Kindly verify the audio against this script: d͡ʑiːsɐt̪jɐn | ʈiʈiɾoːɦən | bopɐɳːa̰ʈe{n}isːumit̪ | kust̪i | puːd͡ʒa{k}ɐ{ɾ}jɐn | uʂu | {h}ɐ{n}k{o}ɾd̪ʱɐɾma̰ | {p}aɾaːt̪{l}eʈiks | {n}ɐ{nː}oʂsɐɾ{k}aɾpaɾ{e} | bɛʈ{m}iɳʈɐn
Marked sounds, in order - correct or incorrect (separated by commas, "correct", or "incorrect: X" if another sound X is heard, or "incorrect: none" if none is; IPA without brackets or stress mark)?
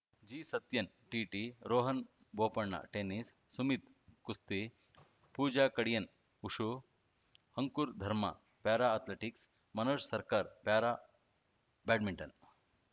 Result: correct, correct, incorrect: ɽ, correct, incorrect: ŋ, incorrect: u, correct, correct, incorrect: m, incorrect: n, correct, incorrect: a, correct